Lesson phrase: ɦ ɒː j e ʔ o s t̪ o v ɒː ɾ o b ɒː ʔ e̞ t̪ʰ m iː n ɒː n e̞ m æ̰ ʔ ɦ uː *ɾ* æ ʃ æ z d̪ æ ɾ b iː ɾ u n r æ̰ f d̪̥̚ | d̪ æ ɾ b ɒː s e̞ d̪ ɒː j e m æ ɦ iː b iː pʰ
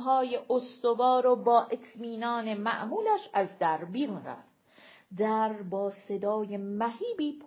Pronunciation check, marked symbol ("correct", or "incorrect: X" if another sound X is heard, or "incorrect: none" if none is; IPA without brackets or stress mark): incorrect: l